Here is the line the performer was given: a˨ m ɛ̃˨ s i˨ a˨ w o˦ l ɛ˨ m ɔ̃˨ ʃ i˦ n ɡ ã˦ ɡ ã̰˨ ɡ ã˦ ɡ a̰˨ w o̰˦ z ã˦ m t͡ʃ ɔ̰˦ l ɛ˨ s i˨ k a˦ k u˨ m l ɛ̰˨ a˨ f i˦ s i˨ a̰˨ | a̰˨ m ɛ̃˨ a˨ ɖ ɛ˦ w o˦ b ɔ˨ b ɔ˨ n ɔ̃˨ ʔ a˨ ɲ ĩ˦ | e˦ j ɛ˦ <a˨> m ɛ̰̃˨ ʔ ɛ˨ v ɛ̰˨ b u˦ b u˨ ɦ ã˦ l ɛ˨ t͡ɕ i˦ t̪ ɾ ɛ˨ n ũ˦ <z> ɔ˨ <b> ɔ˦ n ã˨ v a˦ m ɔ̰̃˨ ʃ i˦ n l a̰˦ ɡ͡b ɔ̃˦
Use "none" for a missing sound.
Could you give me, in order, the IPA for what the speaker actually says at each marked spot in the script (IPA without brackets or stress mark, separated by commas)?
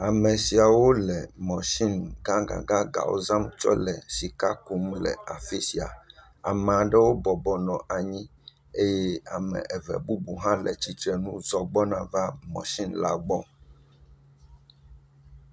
a˨, z, ɡ͡b